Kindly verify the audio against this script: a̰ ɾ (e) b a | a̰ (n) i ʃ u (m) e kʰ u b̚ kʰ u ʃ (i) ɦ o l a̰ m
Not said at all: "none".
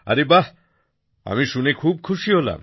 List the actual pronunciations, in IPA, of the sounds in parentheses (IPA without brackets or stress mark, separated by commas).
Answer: e, m, n, i